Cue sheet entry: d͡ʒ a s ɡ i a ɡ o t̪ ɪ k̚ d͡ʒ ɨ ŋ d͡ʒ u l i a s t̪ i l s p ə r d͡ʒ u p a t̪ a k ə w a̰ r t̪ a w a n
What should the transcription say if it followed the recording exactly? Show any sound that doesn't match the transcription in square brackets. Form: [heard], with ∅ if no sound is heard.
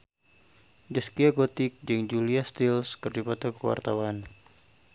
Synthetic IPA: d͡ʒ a s [k] i a ɡ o t̪ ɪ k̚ d͡ʒ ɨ ŋ d͡ʒ u l i a s t̪ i l s [k] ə r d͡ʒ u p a t̪ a k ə w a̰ r t̪ a w a n